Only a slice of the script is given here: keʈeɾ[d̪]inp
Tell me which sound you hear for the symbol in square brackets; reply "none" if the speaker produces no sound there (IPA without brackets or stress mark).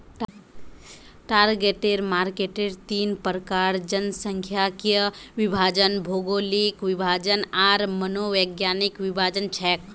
t̪